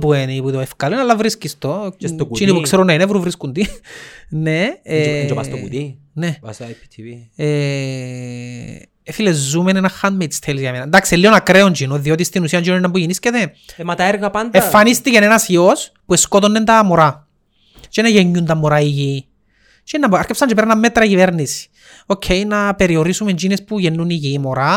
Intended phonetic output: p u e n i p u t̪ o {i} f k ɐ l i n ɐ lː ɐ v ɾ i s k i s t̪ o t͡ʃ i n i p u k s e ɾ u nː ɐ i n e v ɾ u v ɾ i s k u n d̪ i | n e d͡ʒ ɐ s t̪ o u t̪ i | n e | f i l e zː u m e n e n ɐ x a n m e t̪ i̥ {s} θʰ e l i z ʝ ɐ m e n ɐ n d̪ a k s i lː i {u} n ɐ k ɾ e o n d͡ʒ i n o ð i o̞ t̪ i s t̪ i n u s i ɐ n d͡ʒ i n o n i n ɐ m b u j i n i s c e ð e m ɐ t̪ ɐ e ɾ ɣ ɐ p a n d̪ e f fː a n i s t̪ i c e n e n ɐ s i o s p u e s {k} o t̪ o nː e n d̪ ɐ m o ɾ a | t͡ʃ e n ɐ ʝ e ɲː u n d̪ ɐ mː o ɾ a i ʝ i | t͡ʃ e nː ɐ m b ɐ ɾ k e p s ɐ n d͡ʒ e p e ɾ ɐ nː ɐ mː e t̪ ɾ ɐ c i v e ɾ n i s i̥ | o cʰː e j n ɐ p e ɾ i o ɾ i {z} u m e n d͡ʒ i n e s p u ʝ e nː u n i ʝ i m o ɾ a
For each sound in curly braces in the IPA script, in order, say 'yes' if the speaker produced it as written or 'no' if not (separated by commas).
no, yes, no, yes, no